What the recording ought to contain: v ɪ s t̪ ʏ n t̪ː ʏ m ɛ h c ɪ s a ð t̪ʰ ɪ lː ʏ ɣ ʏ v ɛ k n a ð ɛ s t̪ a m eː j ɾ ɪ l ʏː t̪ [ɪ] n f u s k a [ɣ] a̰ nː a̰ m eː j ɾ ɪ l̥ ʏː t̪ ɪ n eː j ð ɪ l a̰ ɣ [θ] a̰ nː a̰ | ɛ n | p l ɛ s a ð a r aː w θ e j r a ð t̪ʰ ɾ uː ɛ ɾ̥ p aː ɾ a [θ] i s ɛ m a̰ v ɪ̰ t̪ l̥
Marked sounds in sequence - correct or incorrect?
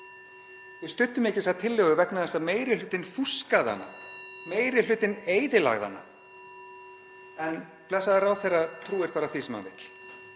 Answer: correct, incorrect: ð, incorrect: ð, correct

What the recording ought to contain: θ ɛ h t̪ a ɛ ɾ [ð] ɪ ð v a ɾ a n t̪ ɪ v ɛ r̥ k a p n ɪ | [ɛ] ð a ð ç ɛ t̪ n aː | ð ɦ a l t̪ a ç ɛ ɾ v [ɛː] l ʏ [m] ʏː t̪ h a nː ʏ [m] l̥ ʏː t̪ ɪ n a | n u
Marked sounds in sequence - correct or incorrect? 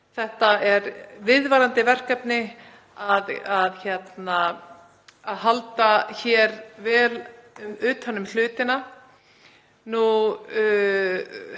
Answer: incorrect: v, incorrect: a, correct, correct, correct

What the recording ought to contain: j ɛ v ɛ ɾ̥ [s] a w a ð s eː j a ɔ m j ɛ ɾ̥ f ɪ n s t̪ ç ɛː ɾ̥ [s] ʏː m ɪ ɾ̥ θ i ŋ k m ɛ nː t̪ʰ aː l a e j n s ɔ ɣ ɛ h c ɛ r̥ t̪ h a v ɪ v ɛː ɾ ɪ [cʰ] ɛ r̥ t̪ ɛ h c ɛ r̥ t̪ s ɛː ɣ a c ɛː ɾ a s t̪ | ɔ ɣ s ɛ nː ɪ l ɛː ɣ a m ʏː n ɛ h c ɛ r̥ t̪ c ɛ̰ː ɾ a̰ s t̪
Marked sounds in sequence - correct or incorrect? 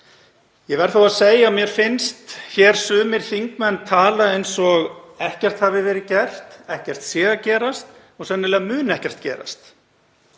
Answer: incorrect: θ, correct, incorrect: c

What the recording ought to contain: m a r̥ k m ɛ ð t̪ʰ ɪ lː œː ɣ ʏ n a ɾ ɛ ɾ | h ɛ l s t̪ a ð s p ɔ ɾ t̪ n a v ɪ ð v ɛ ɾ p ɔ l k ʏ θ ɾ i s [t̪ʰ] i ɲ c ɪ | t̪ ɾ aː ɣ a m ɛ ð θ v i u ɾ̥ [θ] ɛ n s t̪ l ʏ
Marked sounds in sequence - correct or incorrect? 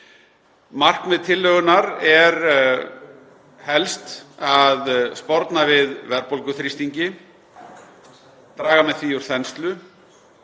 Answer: incorrect: t̪, correct

